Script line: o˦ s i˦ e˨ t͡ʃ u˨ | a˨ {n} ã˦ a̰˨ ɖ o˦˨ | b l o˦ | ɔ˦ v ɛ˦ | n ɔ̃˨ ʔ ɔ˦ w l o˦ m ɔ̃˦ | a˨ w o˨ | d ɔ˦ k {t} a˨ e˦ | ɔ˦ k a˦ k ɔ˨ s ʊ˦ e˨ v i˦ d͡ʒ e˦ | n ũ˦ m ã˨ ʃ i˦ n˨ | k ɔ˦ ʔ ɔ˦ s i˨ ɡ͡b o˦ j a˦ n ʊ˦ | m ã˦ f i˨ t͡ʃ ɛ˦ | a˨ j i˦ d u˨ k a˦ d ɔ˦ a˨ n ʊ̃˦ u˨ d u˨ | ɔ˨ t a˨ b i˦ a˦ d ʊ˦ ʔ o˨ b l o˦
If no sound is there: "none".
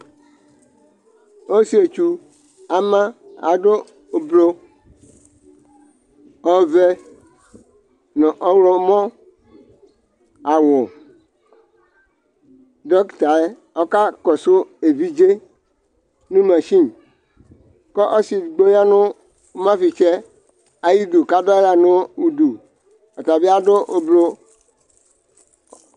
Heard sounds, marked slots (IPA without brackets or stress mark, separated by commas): m, t